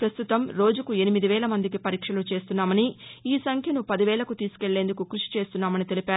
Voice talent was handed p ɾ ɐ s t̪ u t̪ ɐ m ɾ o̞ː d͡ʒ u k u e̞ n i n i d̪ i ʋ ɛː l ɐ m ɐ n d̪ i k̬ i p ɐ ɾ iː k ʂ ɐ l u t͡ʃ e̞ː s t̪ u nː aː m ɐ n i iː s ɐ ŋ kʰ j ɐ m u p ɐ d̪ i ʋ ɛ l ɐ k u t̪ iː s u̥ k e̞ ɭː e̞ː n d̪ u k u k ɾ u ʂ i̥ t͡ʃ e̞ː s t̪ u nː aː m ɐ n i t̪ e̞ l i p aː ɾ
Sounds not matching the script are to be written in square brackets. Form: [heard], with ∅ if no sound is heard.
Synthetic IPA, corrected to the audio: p ɾ ɐ s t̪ u t̪ ɐ m ɾ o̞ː d͡ʒ u k u e̞ n i [m] i d̪ i ʋ ɛː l ɐ m ɐ n d̪ i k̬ i p ɐ ɾ iː k ʂ ɐ l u t͡ʃ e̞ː s t̪ u nː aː m ɐ n i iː s ɐ ŋ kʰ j ɐ [n] u p ɐ d̪ i ʋ [ɛː] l ɐ k u t̪ iː s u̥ k e̞ ɭː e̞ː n d̪ u k u k ɾ u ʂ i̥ t͡ʃ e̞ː s t̪ u nː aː m ɐ n i t̪ e̞ l i p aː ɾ

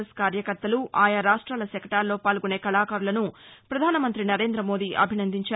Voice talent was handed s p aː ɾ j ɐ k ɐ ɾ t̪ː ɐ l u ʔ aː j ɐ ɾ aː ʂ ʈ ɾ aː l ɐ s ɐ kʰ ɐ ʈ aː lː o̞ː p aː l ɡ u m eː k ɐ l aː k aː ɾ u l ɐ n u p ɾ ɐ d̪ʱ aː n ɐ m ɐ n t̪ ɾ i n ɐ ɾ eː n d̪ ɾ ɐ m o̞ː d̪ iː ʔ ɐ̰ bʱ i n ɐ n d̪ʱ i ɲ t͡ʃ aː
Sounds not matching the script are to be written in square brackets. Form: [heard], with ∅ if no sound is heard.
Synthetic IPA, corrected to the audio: s [k] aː ɾ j ɐ k ɐ ɾ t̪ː ɐ l u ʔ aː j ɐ ɾ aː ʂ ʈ ɾ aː l ɐ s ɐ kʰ ɐ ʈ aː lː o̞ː p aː l ɡ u [n] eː k ɐ l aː k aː ɾ u l ɐ n u p ɾ ɐ d̪ʱ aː n ɐ m ɐ n t̪ ɾ i n ɐ ɾ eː n d̪ ɾ ɐ m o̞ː d̪ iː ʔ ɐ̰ bʱ i n ɐ n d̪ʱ i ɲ t͡ʃ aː

